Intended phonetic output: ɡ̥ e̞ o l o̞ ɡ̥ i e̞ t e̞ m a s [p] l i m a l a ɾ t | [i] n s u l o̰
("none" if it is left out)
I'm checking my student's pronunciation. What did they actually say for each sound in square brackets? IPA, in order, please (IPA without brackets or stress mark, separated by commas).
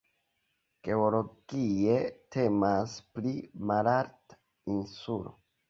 p, i